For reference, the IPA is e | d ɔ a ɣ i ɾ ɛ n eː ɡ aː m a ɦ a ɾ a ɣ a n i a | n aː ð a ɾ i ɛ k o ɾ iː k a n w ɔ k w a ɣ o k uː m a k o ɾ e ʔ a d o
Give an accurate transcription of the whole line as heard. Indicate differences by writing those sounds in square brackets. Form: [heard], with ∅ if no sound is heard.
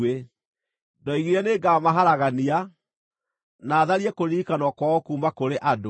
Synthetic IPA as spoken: e | d ɔ [i] ɣ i ɾ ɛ n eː ɡ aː m a ɦ a ɾ a ɣ a n i a | n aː ð a ɾ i ɛ k o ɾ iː k a n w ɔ k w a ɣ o k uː m a k o ɾ e ʔ a d o